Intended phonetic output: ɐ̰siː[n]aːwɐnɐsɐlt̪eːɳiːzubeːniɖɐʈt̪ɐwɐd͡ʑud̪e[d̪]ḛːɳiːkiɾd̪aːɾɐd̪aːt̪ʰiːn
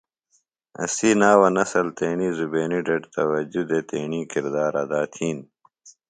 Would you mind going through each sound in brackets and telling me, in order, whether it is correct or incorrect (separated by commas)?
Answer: correct, incorrect